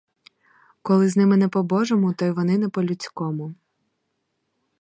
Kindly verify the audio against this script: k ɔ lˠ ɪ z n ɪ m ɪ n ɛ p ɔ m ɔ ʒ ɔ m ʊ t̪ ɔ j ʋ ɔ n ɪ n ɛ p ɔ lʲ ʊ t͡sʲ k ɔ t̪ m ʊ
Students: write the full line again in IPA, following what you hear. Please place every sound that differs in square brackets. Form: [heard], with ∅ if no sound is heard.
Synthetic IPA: k ɔ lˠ ɪ z n ɪ m ɪ n ɛ p ɔ [b] ɔ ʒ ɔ m ʊ t̪ ɔ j ʋ ɔ n ɪ n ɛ p ɔ lʲ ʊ t͡sʲ k ɔ [∅] m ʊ